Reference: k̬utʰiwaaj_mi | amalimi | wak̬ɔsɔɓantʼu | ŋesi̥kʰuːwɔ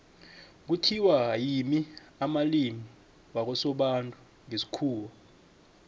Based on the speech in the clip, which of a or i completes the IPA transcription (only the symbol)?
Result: i